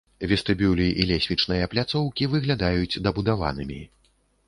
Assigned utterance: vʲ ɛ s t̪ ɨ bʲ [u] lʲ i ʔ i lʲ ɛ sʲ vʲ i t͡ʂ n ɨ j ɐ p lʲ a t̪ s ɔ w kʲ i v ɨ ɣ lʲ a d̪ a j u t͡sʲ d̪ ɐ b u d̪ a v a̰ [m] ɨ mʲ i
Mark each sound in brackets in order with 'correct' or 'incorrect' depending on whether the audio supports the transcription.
correct, incorrect: n

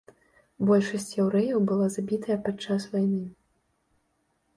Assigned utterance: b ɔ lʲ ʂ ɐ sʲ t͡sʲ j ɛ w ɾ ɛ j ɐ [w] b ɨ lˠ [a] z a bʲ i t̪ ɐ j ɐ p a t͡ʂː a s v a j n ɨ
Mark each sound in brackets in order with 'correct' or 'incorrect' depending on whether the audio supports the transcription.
correct, correct

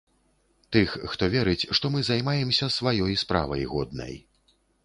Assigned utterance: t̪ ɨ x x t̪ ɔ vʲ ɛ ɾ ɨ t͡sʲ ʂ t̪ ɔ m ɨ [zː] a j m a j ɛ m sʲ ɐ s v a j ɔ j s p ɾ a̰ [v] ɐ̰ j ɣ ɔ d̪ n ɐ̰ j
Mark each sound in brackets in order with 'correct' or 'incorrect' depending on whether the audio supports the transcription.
incorrect: z, correct

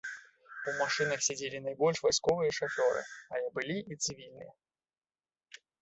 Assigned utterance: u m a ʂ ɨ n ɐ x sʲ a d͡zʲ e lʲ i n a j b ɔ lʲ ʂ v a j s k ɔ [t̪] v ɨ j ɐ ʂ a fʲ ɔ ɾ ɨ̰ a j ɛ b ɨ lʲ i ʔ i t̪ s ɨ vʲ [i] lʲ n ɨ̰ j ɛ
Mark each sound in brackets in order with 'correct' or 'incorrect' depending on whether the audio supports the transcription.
incorrect: none, correct

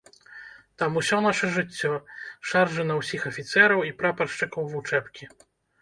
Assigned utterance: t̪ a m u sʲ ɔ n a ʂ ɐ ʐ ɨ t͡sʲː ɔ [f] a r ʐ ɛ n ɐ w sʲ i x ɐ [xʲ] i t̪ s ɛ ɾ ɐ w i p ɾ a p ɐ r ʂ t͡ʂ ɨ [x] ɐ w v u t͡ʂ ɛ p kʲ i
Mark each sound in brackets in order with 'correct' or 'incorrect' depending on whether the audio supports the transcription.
incorrect: ʂ, incorrect: fʲ, incorrect: k

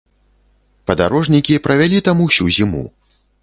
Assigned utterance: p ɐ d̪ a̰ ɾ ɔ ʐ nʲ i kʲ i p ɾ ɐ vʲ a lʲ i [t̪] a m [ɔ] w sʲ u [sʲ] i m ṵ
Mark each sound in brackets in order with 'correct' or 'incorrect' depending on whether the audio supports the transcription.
correct, incorrect: u, incorrect: zʲ

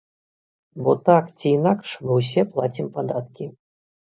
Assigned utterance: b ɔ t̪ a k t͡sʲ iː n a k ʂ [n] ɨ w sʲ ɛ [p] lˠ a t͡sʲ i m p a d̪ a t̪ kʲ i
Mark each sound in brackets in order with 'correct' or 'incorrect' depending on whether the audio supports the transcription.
incorrect: m, correct

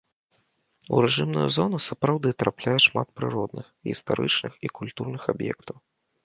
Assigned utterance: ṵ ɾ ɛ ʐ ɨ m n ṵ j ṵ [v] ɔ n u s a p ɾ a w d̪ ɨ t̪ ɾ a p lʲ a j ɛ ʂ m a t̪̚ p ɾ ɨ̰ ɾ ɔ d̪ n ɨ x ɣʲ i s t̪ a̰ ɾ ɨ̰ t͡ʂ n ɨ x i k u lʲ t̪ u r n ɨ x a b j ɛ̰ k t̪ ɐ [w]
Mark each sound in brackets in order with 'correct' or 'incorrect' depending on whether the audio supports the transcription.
incorrect: z, correct

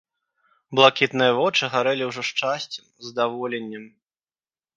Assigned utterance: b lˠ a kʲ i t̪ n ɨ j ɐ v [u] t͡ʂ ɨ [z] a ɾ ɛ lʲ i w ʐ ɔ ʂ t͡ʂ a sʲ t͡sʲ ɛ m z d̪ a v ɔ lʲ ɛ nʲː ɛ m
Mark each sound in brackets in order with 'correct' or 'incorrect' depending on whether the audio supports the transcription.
incorrect: ɔ, incorrect: ɣ

